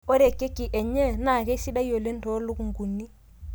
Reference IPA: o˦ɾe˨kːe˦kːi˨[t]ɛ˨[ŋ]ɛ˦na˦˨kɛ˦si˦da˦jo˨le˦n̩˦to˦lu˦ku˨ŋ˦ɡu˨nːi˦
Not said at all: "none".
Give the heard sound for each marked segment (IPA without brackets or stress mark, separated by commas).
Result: ʔ, ɲ